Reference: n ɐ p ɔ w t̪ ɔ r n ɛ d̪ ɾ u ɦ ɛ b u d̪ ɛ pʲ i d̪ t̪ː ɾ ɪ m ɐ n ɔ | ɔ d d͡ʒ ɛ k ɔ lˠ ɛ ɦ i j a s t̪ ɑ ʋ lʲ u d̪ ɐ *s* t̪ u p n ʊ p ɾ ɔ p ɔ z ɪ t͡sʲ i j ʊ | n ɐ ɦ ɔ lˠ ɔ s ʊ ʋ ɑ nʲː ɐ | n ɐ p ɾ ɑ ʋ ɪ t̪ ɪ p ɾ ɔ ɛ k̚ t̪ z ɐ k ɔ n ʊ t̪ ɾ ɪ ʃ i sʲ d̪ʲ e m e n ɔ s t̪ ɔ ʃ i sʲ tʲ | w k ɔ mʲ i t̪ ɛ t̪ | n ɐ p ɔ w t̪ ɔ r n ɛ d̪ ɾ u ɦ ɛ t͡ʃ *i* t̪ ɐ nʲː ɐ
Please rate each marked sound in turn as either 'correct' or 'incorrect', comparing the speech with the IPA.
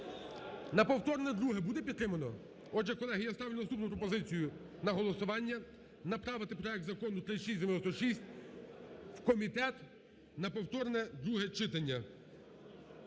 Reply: correct, incorrect

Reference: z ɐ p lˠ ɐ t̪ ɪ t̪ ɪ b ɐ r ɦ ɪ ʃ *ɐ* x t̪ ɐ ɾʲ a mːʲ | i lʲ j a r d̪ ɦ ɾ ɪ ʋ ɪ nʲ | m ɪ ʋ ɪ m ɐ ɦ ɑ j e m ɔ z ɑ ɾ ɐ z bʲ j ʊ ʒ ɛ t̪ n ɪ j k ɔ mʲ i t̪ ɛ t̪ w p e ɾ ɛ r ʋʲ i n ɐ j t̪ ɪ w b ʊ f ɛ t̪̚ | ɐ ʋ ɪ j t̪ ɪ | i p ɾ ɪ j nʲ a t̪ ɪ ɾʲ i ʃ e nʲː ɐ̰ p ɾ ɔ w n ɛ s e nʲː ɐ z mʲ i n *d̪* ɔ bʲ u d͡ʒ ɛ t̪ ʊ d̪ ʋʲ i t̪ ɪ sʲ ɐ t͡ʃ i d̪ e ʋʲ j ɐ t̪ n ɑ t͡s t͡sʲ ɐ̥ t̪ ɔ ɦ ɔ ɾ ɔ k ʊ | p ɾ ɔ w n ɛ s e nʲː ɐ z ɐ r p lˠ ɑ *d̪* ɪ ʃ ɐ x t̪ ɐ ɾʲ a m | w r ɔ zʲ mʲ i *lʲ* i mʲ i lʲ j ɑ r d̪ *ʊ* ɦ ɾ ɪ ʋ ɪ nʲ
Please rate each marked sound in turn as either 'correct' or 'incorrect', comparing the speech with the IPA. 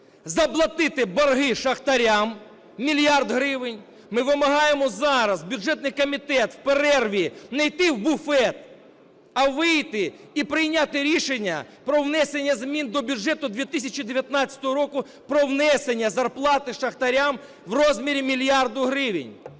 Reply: correct, correct, incorrect, incorrect, correct

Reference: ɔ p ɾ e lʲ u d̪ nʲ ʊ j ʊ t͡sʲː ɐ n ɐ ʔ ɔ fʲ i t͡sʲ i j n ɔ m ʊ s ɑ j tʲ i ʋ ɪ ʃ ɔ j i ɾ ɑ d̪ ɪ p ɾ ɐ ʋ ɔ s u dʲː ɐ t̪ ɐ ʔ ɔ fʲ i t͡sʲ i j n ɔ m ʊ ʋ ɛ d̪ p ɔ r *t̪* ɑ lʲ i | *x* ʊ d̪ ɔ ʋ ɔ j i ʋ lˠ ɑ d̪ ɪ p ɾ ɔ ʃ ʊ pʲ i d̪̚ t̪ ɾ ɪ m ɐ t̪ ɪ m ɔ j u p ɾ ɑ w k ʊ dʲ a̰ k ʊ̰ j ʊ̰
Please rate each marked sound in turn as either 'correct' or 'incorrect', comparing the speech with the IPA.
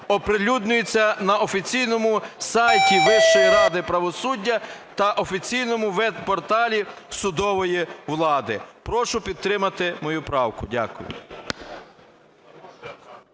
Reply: correct, incorrect

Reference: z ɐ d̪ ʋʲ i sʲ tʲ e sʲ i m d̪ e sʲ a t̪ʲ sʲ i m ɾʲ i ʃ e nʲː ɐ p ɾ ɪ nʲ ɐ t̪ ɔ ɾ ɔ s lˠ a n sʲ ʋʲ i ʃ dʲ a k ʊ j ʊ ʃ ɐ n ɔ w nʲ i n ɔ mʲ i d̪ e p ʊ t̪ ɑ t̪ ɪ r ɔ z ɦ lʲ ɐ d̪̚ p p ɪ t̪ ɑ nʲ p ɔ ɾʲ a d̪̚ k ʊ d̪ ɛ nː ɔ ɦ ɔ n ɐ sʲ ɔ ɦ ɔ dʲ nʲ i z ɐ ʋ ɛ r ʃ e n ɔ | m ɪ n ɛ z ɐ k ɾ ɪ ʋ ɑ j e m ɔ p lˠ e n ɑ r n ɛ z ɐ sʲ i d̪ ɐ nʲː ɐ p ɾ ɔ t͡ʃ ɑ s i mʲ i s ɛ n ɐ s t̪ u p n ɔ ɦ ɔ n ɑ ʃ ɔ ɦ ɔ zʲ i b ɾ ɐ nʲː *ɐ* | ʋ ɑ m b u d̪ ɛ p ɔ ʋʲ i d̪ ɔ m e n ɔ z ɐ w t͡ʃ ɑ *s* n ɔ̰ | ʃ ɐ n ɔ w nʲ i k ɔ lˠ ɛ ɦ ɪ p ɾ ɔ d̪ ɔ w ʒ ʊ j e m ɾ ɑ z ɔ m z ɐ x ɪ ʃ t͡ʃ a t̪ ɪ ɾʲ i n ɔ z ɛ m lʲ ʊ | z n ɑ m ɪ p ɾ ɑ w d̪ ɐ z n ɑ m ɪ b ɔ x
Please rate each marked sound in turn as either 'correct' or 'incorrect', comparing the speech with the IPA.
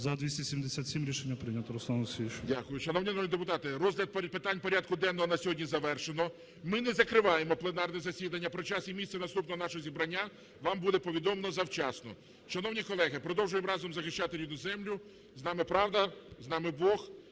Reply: incorrect, correct

